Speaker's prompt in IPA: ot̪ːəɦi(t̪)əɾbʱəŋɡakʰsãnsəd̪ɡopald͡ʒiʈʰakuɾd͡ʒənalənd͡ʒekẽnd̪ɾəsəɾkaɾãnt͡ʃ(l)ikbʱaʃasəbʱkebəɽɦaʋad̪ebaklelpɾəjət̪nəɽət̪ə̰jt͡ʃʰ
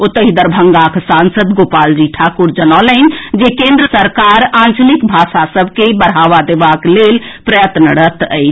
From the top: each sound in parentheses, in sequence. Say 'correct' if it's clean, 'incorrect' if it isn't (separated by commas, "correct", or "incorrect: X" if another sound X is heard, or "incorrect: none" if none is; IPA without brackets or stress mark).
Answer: incorrect: d̪, correct